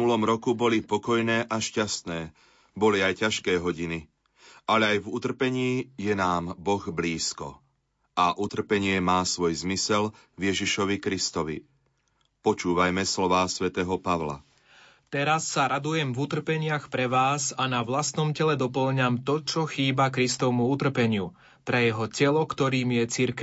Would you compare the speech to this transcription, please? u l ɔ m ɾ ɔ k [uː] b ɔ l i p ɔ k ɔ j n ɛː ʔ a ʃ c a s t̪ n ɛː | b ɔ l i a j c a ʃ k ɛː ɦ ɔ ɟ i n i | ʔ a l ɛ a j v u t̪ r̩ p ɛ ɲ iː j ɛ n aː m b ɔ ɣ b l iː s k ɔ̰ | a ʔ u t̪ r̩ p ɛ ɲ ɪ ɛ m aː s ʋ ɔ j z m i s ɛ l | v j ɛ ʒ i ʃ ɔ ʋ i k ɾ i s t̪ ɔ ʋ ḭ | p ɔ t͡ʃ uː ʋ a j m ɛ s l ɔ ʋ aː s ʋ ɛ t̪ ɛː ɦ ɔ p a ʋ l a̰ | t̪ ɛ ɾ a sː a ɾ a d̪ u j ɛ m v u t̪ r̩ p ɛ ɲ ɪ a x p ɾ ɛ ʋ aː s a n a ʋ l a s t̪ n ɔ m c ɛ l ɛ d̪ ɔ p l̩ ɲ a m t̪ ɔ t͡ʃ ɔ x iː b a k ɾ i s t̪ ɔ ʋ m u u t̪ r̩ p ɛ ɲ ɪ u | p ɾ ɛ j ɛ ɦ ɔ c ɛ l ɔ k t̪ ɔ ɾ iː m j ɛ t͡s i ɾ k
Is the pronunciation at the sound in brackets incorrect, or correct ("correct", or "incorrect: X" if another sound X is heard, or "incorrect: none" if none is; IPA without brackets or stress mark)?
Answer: incorrect: u